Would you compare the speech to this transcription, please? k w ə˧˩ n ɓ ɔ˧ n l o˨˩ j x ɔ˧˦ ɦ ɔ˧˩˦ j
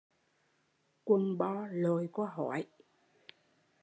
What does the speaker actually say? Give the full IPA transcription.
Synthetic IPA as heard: k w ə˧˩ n ɓ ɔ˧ l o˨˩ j k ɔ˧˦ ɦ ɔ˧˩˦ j